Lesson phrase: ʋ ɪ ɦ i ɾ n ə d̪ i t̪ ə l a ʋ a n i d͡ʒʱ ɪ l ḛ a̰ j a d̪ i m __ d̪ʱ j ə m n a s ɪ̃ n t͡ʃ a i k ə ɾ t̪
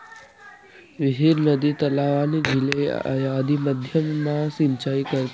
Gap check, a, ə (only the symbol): ə